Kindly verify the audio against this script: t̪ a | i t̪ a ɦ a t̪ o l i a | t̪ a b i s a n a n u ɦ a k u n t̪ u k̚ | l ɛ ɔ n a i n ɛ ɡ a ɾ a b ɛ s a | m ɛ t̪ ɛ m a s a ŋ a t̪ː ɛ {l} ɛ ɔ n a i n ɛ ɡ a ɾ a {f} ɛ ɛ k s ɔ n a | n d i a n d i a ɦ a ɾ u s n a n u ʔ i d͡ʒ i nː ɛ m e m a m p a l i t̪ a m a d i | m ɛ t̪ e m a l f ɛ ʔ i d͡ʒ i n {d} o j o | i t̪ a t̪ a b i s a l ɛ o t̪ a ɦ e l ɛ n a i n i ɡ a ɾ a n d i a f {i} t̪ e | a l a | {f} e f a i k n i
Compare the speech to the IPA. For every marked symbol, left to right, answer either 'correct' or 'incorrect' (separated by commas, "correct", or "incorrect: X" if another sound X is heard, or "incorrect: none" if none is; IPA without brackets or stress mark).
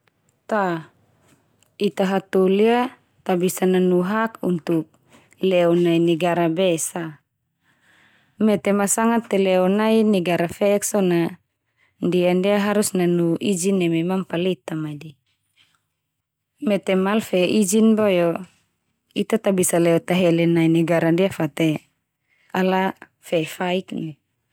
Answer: correct, correct, incorrect: b, incorrect: a, correct